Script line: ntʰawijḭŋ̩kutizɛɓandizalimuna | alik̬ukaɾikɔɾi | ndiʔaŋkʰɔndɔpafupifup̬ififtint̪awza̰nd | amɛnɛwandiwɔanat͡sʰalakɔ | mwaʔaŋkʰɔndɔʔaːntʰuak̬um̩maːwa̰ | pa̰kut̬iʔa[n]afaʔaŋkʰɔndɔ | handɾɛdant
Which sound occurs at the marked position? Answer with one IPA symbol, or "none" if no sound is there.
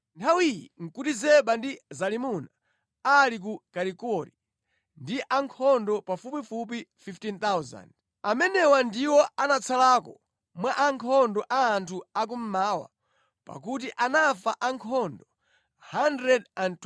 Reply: n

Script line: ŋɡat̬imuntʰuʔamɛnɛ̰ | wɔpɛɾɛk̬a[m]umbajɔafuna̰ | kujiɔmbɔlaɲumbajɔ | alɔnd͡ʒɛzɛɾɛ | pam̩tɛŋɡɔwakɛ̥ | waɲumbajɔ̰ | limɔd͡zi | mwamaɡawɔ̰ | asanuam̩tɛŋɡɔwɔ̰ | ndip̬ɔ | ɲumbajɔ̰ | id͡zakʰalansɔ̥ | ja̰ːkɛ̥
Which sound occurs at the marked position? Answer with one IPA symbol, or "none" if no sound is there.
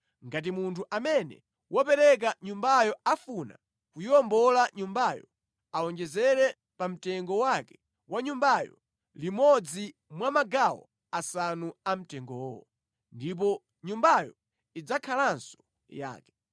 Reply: ɲ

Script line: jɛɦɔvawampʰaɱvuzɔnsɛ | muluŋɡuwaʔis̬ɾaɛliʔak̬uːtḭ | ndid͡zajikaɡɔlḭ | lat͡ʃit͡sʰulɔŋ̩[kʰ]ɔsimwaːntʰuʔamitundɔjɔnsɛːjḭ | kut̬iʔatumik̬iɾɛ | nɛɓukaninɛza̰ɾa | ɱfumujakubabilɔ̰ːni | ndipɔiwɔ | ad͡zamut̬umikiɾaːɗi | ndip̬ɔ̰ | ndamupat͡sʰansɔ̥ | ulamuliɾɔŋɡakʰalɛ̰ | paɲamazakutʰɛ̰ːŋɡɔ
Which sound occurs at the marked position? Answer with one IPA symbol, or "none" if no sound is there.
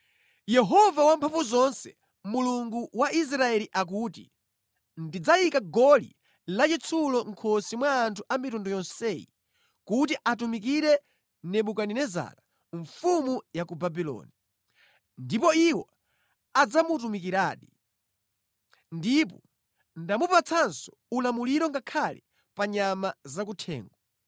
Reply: kʰ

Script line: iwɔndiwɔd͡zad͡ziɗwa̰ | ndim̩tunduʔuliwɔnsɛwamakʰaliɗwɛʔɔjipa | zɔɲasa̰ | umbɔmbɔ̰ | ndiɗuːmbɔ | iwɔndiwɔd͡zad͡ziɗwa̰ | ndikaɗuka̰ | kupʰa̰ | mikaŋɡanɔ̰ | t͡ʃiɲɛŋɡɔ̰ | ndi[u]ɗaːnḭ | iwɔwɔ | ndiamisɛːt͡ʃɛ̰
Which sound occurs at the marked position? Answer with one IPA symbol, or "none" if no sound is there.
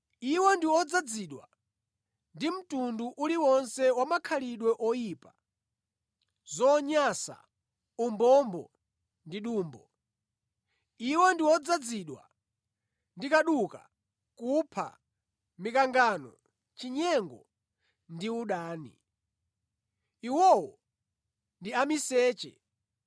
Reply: u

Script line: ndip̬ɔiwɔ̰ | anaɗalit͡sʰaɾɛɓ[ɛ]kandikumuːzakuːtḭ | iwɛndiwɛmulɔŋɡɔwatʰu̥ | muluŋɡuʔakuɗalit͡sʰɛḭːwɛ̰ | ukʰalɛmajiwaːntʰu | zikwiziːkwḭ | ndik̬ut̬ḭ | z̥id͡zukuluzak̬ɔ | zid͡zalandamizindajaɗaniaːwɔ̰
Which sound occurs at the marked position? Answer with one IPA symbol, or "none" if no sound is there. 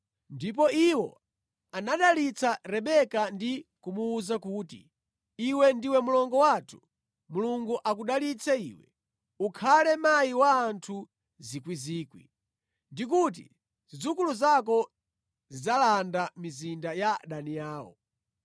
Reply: ɛ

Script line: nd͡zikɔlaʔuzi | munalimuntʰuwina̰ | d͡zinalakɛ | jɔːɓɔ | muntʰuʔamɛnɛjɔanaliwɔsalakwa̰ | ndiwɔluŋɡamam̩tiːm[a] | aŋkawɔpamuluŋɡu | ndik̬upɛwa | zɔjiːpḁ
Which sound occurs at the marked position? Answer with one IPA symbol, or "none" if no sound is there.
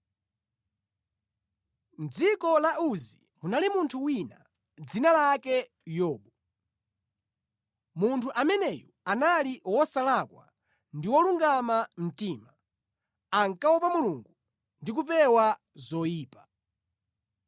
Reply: a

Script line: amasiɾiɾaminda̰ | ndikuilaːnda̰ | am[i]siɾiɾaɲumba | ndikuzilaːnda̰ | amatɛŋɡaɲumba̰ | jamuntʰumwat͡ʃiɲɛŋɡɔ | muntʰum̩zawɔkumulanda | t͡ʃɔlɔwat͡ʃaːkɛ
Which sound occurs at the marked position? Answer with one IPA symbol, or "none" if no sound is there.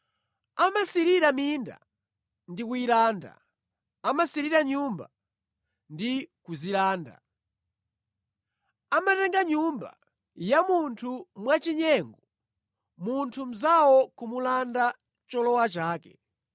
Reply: a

